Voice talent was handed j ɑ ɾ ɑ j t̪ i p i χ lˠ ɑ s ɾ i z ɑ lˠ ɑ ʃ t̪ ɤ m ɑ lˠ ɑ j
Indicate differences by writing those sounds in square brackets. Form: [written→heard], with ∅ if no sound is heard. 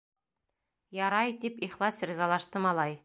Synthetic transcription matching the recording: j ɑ ɾ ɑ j t̪ i p i χ lˠ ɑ s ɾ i z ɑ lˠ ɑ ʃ t̪ ɤ m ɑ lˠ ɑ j